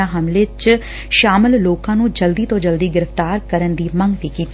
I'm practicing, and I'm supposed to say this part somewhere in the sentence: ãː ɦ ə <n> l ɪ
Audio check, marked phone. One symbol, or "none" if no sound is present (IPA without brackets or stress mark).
m